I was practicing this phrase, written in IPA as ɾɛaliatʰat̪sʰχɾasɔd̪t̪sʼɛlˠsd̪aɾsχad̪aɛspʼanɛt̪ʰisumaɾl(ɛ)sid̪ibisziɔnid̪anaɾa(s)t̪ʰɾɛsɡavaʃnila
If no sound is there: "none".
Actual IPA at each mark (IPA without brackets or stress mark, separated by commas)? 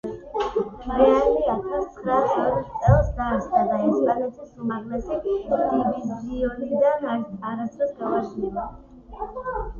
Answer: ɛ, s